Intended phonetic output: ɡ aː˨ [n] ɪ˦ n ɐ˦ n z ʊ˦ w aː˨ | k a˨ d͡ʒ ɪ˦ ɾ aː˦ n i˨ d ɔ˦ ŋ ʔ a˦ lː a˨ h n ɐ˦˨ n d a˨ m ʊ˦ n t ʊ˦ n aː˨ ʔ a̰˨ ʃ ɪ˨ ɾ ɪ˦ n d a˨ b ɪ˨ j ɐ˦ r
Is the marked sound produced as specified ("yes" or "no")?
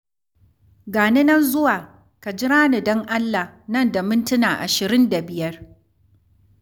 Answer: yes